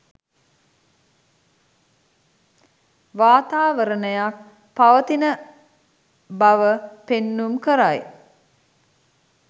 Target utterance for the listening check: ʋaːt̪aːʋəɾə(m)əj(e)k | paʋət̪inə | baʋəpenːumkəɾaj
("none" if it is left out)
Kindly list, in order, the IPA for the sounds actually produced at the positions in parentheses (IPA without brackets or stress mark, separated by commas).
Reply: n, a